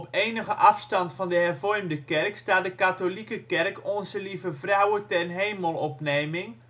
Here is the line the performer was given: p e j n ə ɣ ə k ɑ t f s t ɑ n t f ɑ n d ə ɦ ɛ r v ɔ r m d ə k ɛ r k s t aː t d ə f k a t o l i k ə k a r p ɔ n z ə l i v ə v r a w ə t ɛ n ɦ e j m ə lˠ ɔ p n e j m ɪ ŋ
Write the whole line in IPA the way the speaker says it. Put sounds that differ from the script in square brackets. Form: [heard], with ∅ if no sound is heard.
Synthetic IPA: p e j n ə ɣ ə [ʔ] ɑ [∅] f s t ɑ n t f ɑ n d ə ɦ ɛ r v ɔ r m d ə k ɛ r k s t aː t d ə [∅] k a t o l i k ə k [ɛ] r [k] ɔ n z ə l i v ə v r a w ə t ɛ n ɦ e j m ə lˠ ɔ p n e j m ɪ ŋ